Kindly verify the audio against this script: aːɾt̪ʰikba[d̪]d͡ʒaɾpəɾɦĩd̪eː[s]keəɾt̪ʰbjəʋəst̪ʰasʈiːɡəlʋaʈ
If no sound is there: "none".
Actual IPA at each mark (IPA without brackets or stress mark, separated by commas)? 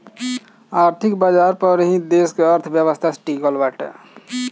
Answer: none, s